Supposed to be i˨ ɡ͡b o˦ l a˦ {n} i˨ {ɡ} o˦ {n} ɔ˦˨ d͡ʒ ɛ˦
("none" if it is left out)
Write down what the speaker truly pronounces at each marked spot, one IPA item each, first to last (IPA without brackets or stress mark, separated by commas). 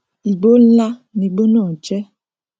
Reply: n, ɡ͡b, n